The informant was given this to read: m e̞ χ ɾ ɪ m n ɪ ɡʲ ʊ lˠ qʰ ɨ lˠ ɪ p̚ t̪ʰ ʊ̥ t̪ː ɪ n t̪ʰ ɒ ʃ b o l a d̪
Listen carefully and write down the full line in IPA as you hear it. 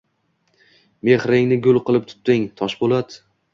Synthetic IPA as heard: m e̞ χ ɾ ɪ ŋ n ɪ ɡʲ ʊ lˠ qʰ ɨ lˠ ɪ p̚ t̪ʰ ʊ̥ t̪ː ɪ ŋ t̪ʰ ɒ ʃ b o l a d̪